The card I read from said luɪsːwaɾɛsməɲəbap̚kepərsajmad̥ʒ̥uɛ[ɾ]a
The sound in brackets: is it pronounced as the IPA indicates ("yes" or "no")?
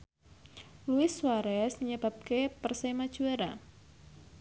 yes